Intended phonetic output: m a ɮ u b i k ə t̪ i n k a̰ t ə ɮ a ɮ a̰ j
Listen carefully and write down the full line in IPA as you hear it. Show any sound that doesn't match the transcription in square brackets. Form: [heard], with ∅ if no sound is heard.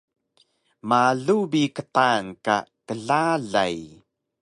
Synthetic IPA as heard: m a ɮ u b i k ə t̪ [a] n k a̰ t ə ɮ a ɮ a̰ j